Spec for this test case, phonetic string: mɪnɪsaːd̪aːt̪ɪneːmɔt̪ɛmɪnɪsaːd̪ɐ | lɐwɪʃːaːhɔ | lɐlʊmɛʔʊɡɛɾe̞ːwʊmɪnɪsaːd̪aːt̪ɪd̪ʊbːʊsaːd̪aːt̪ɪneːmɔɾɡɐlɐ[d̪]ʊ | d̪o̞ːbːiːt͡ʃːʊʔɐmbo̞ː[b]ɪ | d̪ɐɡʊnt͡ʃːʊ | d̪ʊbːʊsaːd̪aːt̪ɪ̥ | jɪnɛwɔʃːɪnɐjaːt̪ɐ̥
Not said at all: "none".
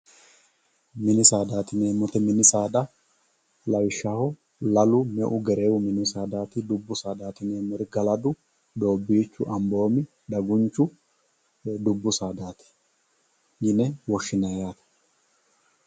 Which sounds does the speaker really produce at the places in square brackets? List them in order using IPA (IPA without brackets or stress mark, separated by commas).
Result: d̪, m